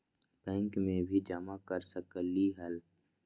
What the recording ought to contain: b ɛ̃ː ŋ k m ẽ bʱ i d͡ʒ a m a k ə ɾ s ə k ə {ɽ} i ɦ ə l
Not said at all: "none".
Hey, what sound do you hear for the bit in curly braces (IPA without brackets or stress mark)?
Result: l